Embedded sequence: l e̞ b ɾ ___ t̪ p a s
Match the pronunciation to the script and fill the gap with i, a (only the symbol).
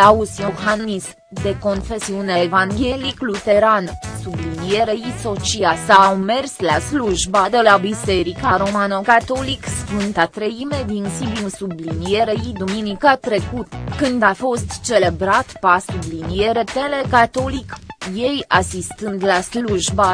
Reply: a